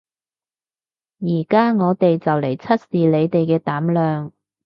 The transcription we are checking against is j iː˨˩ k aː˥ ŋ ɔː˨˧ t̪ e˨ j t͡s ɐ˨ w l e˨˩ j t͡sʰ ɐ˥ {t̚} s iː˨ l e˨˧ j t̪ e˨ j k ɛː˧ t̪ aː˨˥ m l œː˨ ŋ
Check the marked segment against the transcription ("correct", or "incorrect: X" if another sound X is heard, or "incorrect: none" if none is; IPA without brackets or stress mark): correct